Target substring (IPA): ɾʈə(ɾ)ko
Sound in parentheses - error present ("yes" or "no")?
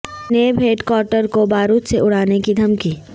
no